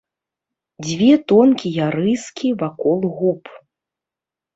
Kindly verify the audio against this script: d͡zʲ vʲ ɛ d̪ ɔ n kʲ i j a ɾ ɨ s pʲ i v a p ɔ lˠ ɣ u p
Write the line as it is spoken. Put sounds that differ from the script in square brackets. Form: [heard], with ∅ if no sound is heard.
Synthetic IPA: d͡zʲ vʲ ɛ [t̪] ɔ n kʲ i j a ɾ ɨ s [kʲ] i v a [k] ɔ lˠ ɣ u p